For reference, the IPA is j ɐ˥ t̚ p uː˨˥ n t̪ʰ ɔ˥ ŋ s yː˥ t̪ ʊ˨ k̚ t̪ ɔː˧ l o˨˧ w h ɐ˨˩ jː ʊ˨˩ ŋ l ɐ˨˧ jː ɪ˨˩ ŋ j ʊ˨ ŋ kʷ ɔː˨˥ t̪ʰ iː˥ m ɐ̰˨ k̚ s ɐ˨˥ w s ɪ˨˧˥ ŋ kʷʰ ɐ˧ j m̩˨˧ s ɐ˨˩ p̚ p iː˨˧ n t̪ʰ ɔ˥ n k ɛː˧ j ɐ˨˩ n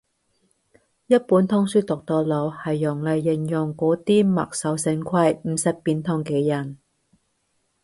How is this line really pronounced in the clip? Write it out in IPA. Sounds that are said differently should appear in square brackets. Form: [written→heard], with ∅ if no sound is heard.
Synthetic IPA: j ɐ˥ t̚ p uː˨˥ n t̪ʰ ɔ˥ ŋ s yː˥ t̪ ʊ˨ k̚ t̪ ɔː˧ l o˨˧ w h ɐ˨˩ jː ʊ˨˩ ŋ l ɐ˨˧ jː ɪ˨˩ ŋ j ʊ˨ ŋ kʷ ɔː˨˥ [t̪ʰ→t̪] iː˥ m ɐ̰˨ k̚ s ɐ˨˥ w s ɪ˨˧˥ ŋ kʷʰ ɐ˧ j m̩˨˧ s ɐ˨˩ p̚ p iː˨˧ n t̪ʰ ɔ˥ [n→ŋ] k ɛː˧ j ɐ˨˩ n